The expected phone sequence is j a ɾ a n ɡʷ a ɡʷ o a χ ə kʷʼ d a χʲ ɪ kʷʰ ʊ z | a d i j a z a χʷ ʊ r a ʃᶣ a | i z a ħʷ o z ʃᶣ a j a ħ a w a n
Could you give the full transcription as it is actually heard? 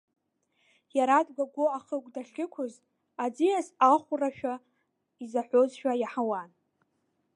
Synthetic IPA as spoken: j a ɾ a d ɡʷ a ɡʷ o a χ ə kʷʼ d a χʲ ɪ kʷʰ ʊ z | a d͡z i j a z a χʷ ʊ r a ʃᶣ a | i z a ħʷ o z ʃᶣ a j a ħ a w a n